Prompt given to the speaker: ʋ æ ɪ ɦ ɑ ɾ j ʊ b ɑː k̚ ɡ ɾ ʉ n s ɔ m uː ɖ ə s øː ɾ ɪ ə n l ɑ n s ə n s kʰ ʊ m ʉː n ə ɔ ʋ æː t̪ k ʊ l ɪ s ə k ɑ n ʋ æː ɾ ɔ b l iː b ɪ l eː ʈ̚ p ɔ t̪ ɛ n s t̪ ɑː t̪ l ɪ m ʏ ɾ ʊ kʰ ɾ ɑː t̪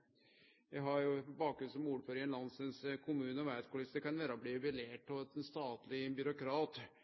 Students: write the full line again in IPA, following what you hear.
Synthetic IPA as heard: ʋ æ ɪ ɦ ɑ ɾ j ʊ b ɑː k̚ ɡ ɾ ʉ n s ɔ m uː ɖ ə f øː ɾ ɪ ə n l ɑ n s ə n s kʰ ʊ m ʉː n ə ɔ ʋ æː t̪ k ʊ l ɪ s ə k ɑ n ʋ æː ɾ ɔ b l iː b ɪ l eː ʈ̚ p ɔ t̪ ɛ n s t̪ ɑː t̪ l ɪ b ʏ ɾ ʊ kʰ ɾ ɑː t̪